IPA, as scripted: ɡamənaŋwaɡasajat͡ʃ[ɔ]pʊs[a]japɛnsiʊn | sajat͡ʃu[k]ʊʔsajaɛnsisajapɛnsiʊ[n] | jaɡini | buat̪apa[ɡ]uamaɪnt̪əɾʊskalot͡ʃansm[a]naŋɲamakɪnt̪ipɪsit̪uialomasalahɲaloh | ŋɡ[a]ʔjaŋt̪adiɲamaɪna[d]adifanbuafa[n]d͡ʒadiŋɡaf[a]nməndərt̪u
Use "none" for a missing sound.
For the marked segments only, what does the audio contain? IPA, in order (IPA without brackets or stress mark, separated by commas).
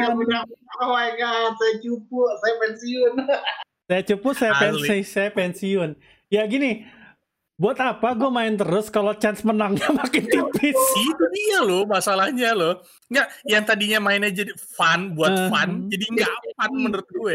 u, a, p, n, ɡ, ə, a, d͡ʒ, n, a